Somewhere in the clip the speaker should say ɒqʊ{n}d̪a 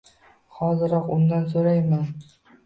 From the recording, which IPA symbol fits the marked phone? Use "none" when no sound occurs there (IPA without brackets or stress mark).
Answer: n